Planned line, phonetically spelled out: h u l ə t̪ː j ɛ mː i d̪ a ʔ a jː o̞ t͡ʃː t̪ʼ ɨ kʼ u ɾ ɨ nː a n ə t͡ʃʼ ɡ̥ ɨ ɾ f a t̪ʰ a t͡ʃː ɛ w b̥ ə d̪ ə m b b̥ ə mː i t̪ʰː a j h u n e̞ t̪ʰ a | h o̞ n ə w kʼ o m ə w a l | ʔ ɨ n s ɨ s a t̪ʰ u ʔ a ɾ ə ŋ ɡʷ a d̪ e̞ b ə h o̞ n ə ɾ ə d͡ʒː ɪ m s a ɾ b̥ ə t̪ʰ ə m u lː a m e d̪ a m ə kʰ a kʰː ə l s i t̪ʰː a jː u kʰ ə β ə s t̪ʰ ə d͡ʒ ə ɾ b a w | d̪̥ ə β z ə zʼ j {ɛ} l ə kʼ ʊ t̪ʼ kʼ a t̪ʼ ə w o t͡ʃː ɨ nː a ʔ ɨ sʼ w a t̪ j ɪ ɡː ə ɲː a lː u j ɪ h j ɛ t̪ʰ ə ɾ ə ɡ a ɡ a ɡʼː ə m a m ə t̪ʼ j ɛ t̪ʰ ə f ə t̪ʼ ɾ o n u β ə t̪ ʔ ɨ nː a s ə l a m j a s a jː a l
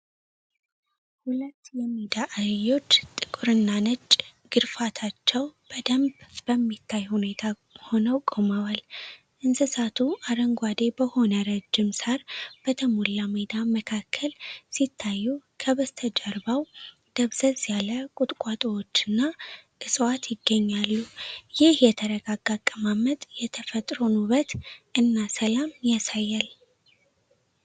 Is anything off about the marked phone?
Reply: yes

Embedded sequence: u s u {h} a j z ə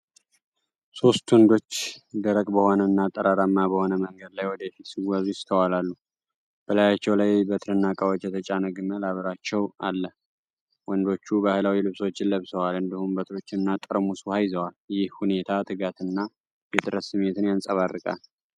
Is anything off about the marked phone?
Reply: no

